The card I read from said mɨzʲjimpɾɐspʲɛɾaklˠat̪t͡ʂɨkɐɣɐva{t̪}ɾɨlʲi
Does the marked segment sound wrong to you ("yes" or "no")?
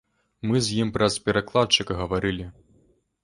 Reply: yes